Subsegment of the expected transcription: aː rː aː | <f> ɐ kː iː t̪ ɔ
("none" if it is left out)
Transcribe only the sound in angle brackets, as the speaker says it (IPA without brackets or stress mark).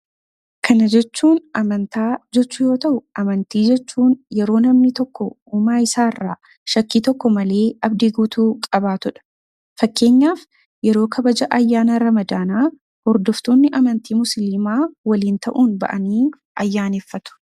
ʃ